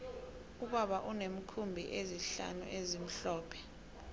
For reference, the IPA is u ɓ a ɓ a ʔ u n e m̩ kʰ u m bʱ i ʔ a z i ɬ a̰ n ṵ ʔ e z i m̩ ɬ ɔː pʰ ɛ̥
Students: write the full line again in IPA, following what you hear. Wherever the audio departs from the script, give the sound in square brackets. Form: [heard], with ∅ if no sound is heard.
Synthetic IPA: u ɓ a ɓ a ʔ u n e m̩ kʰ u m bʱ i ʔ [e] z i ɬ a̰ n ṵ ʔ e z i m̩ ɬ ɔː pʰ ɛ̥

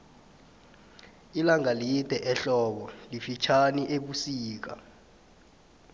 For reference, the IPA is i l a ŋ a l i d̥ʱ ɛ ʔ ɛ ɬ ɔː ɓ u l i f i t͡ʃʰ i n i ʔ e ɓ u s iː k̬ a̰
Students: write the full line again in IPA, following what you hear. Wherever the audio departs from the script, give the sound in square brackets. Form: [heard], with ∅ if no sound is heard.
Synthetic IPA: i l a ŋ a l i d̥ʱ ɛ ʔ ɛ ɬ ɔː ɓ [ɔ] l i f i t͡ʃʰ [a] n i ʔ e ɓ u s iː k̬ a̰

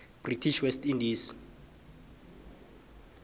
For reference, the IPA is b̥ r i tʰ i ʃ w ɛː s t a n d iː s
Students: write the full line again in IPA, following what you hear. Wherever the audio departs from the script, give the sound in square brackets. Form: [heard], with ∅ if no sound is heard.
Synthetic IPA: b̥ r i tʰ i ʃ w [ɛ] s t [i] n d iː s

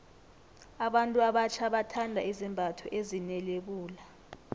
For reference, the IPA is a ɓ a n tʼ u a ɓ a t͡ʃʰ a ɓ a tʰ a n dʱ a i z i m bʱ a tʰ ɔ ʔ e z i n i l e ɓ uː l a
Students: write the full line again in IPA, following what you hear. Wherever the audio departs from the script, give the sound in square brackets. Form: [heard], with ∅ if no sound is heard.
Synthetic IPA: a ɓ a n tʼ u a ɓ a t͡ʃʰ a ɓ a tʰ a n dʱ a i z i m bʱ a tʰ ɔ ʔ e z i n [ɛ] l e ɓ uː l a

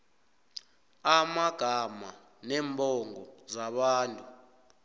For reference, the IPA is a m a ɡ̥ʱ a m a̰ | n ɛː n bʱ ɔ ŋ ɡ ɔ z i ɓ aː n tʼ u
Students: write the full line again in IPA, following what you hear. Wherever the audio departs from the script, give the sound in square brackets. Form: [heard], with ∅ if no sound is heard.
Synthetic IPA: a m a ɡ̥ʱ a m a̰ | n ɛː [m] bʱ ɔ ŋ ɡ ɔ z [a] ɓ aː n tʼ u

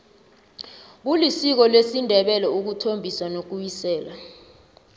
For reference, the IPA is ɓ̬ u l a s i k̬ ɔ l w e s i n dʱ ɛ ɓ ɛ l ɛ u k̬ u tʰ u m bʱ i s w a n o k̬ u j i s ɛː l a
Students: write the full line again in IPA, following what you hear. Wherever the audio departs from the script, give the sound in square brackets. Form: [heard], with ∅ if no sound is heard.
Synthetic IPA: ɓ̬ u l [i] s i k̬ ɔ l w e s i n dʱ ɛ ɓ ɛ l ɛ u k̬ u tʰ [o] m bʱ i s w a n o k̬ u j i s ɛː l a

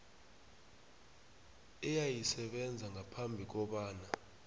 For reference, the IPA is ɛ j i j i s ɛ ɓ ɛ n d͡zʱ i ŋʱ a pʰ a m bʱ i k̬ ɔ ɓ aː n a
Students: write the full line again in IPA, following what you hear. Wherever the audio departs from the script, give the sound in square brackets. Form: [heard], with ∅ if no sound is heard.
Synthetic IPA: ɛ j [a] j i s ɛ ɓ ɛ n d͡zʱ [a] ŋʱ a pʰ a m bʱ i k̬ ɔ ɓ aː n a

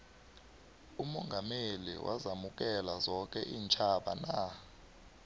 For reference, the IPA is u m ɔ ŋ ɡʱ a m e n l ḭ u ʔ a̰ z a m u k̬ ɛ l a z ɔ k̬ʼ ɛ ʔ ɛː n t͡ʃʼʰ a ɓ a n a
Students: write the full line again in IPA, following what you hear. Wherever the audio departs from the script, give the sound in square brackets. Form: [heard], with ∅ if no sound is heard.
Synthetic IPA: u m ɔ ŋ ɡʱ a m e [∅] l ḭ [w] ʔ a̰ z a m u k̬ ɛ l a z ɔ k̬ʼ ɛ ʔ [iː] n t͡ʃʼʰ a ɓ a n a

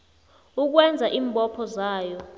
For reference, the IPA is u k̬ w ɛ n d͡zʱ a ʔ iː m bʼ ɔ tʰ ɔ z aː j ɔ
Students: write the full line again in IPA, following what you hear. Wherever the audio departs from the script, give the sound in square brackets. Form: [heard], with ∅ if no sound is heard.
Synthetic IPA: u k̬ w ɛ n d͡zʱ a ʔ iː m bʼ ɔ [pʰ] ɔ z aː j ɔ

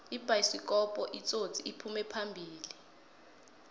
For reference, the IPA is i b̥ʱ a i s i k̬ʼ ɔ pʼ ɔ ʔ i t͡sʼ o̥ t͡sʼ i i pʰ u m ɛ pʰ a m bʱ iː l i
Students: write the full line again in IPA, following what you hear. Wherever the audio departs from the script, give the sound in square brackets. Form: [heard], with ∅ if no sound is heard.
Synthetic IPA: i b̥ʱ a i s i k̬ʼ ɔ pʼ ɔ ʔ i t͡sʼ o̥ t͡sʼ i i pʰ u m ɛ pʰ a m bʱ iː l i

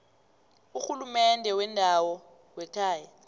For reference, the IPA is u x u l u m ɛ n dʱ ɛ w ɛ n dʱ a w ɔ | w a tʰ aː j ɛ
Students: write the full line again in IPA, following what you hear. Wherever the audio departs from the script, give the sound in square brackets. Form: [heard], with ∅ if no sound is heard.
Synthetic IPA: u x u l u m ɛ n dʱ ɛ w ɛ n dʱ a w ɔ | w [ɛ] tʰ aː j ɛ

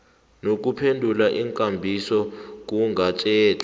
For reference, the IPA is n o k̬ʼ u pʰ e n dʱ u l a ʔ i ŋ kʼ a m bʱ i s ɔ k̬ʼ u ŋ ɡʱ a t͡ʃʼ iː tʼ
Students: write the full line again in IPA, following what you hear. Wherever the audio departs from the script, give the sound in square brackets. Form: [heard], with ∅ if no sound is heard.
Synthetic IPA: n o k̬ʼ u pʰ e n dʱ u l a ʔ i ŋ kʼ a m bʱ i s ɔ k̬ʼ u ŋ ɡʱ a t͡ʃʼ [ɛː] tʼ

